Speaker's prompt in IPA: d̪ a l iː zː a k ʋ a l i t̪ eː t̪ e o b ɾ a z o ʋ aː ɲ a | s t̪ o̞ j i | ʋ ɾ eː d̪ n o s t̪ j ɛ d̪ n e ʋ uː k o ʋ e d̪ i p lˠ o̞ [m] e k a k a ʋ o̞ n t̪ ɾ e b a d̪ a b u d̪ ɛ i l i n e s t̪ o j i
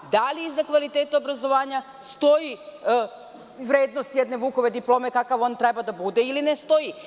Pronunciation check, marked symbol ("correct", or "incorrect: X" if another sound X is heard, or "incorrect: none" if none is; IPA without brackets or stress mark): correct